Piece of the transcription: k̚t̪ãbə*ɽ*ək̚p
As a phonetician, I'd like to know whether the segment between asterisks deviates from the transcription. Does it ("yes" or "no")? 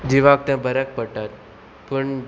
yes